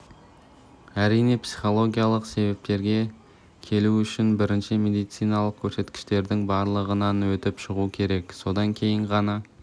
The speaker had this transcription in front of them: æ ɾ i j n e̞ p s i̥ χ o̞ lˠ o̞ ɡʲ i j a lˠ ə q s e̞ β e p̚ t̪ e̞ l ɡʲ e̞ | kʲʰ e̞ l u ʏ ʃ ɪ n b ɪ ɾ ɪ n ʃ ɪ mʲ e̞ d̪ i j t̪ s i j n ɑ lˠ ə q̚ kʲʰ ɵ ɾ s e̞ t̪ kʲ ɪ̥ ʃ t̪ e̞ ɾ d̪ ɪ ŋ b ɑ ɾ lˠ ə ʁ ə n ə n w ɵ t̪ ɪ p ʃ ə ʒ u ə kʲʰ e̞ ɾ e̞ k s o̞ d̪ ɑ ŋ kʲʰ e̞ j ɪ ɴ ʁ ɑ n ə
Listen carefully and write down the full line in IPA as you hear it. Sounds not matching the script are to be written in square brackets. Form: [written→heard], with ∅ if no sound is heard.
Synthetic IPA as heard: æ ɾ i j n e̞ p s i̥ χ o̞ lˠ o̞ ɡʲ i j a lˠ ə q s e̞ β e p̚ t̪ e̞ [l→ɾ] ɡʲ e̞ | kʲʰ e̞ l u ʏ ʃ ɪ n b ɪ ɾ ɪ n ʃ ɪ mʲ e̞ d̪ i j t̪ s i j n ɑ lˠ ə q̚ kʲʰ ɵ ɾ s e̞ t̪ kʲ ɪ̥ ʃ t̪ e̞ ɾ d̪ ɪ ŋ b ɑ ɾ lˠ ə ʁ ə n [ə→ɑ] n w ɵ t̪ ɪ p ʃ ə [ʒ→ʁ] u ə kʲʰ e̞ ɾ e̞ k s o̞ d̪ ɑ ŋ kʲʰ e̞ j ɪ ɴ ʁ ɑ n [ə→ɑ]